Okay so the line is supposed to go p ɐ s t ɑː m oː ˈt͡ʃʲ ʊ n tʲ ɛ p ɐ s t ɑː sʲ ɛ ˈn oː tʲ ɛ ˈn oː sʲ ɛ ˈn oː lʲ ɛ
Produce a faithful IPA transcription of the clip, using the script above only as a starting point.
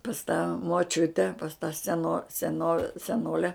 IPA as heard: p ɐ s t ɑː m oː ˈt͡ʃʲ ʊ tʲ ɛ p ɐ s t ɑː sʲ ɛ ˈn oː sʲ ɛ ˈn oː sʲ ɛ ˈn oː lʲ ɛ